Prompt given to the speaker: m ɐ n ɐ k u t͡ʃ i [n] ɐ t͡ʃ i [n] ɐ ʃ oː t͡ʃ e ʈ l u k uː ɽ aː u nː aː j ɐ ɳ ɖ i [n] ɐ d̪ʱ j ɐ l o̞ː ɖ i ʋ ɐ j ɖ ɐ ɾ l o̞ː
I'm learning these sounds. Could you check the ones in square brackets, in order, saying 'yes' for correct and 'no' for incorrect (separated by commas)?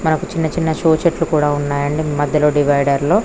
no, no, no